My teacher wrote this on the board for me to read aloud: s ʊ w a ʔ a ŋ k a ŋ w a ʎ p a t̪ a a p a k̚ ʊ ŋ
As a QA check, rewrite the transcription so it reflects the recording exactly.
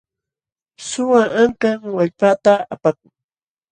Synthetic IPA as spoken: s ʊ w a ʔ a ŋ k a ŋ w a ʎ p a t̪ a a p a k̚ ʊ ŋ